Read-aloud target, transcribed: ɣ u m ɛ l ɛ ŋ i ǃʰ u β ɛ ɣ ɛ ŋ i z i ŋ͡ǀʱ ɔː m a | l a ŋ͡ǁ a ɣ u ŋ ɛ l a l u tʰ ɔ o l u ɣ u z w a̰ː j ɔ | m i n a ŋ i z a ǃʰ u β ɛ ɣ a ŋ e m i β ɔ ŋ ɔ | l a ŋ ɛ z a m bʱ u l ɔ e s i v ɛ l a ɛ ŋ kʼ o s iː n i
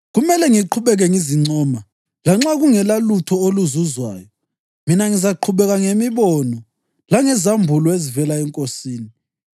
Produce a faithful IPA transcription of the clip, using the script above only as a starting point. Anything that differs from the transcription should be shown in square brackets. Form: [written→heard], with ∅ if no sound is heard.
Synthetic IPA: ɣ u m ɛ l ɛ ŋ i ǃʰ u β ɛ ɣ ɛ ŋ i z i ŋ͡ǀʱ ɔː m a | l a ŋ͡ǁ a ɣ u ŋ ɛ l a l u tʰ ɔ o l u [ɣ→z] u z w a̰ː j ɔ | m i n a ŋ i z a ǃʰ u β ɛ ɣ a ŋ e m i β ɔ [ŋ→n] ɔ | l a ŋ ɛ z a m bʱ u l ɔ e [s→z] i v ɛ l a ɛ ŋ kʼ o s iː n i